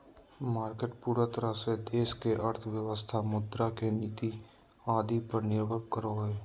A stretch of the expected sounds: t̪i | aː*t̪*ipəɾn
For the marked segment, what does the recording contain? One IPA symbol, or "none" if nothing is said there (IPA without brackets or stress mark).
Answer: d̪